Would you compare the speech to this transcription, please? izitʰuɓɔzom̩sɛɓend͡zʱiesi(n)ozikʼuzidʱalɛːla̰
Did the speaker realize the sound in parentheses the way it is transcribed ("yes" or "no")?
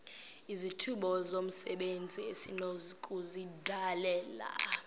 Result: yes